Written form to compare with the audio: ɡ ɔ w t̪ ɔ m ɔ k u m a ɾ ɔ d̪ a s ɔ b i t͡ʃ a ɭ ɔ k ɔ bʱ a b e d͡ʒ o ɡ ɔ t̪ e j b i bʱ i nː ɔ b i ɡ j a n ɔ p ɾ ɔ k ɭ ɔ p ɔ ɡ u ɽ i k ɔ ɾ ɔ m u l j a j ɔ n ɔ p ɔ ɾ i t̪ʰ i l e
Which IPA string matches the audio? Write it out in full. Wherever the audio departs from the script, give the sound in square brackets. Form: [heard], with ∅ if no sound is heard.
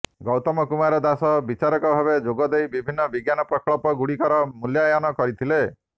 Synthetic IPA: ɡ ɔ w t̪ ɔ m ɔ k u m a ɾ ɔ d̪ a s ɔ b i t͡ʃ a [ɾ] ɔ k ɔ bʱ a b e d͡ʒ o ɡ ɔ [d̪] e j b i bʱ i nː ɔ b i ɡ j a n ɔ p ɾ ɔ k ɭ ɔ p ɔ ɡ u ɽ i k ɔ ɾ ɔ m u l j a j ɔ n ɔ [k] ɔ ɾ i t̪ʰ i l e